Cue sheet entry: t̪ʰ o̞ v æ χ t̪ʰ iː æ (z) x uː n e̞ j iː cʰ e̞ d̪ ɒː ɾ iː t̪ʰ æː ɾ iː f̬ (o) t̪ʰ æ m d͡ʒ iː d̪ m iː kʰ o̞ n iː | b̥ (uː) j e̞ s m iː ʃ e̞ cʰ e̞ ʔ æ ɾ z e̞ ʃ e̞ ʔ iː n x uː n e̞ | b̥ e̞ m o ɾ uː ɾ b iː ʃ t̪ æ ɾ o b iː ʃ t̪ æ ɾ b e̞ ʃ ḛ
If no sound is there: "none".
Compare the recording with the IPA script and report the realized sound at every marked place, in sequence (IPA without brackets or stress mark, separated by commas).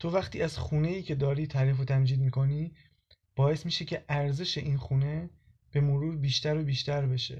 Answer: z, o, ɒː